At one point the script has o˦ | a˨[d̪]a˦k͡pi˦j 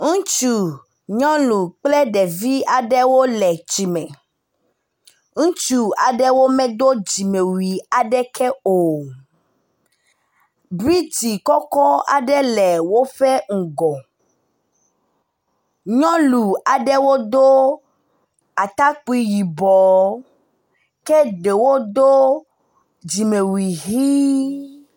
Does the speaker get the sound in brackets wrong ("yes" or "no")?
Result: yes